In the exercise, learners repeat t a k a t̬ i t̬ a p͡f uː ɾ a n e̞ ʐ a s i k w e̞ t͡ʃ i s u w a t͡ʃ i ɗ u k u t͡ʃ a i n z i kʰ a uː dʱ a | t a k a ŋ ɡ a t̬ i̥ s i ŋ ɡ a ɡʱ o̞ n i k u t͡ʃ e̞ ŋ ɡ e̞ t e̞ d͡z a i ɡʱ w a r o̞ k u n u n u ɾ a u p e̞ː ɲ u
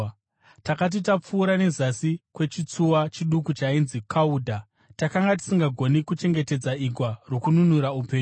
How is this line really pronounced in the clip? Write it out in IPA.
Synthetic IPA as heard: t a k a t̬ i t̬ a p͡f uː ɾ a n e̞ z a s i k w e̞ t͡ʃ i t͡s u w a t͡ʃ i ɗ u k u t͡ʃ a i n z i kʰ a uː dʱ a | t a k a ŋ ɡ a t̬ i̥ s i ŋ ɡ a ɡʱ o̞ n i k u t͡ʃ e̞ ŋ ɡ e̞ t e̞ d͡z a i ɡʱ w a r o̞ k u n u n u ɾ a u p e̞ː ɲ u